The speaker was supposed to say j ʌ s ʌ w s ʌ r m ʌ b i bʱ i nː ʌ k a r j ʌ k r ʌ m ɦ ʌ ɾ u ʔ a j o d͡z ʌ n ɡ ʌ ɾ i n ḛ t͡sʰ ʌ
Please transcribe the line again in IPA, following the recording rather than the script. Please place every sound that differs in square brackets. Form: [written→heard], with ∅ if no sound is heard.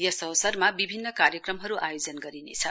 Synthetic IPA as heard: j ʌ s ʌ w s ʌ r m [ʌ→a] b i bʱ i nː ʌ k a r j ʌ k r ʌ m ɦ ʌ ɾ u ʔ a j o d͡z ʌ n ɡ ʌ ɾ i n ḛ t͡sʰ ʌ

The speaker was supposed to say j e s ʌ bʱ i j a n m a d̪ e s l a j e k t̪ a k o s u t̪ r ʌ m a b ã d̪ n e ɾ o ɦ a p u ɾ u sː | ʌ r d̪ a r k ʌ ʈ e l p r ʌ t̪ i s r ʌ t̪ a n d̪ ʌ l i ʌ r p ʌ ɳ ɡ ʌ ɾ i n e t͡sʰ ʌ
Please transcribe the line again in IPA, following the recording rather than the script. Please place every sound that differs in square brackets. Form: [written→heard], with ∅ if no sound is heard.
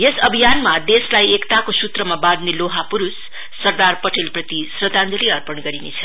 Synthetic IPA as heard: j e s ʌ bʱ i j a n m a d̪ e s l a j e k t̪ a k o s u t̪ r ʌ m a b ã d̪ n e [ɾ→l] o ɦ a p u ɾ u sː | ʌ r d̪ a r [k→p] ʌ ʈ e l p r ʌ t̪ i s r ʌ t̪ a n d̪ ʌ l i ʌ r p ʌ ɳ ɡ ʌ ɾ i n e t͡sʰ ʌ

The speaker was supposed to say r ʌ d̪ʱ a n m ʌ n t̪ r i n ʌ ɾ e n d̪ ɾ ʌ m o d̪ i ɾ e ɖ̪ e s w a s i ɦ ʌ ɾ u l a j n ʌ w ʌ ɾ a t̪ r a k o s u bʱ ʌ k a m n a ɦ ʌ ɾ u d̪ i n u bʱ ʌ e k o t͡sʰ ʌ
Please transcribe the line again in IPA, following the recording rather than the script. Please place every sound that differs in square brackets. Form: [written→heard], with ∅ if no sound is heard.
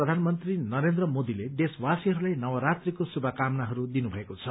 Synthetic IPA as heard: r ʌ d̪ʱ a n m ʌ n t̪ r i n ʌ ɾ e n d̪ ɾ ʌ m o d̪ i [ɾ→l] e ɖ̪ e s w a s i ɦ ʌ ɾ u l a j n ʌ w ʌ ɾ a t̪ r [a→i] k o s u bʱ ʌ k a m n a ɦ ʌ ɾ u d̪ i n u bʱ ʌ e k o t͡sʰ ʌ

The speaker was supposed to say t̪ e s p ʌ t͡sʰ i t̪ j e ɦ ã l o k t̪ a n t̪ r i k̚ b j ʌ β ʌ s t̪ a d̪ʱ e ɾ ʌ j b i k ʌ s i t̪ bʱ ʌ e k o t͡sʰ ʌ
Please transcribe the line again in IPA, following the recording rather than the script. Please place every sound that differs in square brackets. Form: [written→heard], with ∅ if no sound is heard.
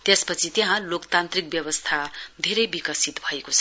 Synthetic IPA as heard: t̪ e s p ʌ t͡sʰ i t̪ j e ɦ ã l o k t̪ a n t̪ r i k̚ b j ʌ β ʌ s [t̪→t̪ʰ] a d̪ʱ e ɾ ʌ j b i k ʌ s i t̪ bʱ ʌ e k o t͡sʰ ʌ

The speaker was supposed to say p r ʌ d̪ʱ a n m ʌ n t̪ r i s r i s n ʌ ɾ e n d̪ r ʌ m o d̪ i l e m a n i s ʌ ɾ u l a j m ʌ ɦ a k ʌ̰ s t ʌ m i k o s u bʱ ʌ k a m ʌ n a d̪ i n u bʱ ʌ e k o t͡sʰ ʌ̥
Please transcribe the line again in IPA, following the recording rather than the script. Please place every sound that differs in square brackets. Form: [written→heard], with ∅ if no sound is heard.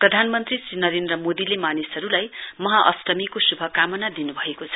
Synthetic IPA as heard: p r ʌ d̪ʱ a n m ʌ n t̪ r i s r i [s→∅] n ʌ ɾ e n d̪ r ʌ m o d̪ i l e m a n i s ʌ ɾ u l a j m ʌ ɦ a [k→ʔ] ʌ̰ s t ʌ m i k o s u bʱ ʌ k a m ʌ n a d̪ i n u bʱ ʌ e k o t͡sʰ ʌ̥

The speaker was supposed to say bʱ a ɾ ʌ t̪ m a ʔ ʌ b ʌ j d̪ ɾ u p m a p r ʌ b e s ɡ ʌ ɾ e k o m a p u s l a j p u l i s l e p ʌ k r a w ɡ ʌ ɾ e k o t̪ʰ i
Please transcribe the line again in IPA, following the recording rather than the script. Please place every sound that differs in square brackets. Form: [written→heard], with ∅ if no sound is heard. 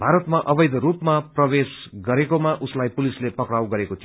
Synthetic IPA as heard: bʱ a ɾ ʌ t̪ m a ʔ ʌ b ʌ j d̪ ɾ u p m a p r ʌ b e s ɡ ʌ ɾ e k o m a [p→ʔ] u s l a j p u l i s l e p ʌ k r a w ɡ ʌ ɾ e k o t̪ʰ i

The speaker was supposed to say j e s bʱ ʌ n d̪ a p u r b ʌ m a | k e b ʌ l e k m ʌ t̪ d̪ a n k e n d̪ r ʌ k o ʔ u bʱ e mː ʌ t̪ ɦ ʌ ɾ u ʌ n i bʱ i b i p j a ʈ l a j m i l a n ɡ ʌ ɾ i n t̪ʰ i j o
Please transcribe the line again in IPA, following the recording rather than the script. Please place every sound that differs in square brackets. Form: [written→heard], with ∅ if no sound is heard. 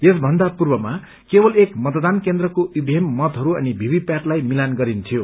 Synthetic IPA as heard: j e s bʱ ʌ n d̪ a p u r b ʌ m a | k e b ʌ l e k m ʌ t̪ d̪ a n k e n d̪ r ʌ k o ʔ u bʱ e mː ʌ t̪ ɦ ʌ ɾ u ʌ n i bʱ i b i p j a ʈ l a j m i l a n ɡ ʌ ɾ i n t̪ʰ i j o

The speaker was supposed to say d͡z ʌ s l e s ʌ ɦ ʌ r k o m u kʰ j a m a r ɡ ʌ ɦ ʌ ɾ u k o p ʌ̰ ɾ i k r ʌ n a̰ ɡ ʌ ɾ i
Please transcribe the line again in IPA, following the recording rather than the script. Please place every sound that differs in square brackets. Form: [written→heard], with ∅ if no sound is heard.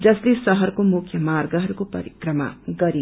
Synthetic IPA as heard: d͡z ʌ s l e s ʌ ɦ ʌ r k o m u kʰ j [a→ʌ] m a r ɡ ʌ ɦ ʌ ɾ u k o p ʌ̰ ɾ i k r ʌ [n→m] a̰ ɡ ʌ ɾ i

